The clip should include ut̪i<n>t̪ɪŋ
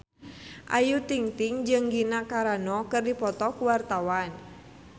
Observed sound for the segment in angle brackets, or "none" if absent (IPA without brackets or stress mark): ŋ